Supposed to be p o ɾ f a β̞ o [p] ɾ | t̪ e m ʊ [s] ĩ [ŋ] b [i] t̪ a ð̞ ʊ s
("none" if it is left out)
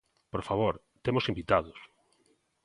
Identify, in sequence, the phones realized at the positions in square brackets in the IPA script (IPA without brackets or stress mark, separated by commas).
none, s, m, i